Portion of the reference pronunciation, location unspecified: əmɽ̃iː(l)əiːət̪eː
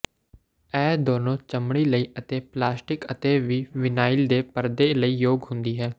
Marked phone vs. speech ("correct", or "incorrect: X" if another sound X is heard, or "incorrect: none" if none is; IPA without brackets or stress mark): correct